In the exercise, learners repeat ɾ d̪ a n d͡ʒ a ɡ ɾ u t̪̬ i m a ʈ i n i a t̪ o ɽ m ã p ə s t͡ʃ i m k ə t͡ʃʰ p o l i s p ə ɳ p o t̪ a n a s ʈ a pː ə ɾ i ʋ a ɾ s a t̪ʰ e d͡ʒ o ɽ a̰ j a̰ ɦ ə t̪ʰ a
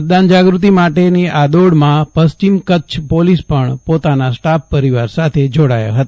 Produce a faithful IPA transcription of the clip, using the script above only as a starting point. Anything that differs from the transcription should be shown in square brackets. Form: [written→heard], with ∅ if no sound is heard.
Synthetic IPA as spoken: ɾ d̪ a n d͡ʒ a ɡ ɾ u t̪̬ i m a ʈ [i→e] n i a [t̪→d̪] o ɽ m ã p ə s t͡ʃ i m k ə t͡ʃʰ p o l i s p ə ɳ p o t̪ a n a s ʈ a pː ə ɾ i ʋ a ɾ s a t̪ʰ e d͡ʒ o ɽ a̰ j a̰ ɦ ə [t̪ʰ→t̪] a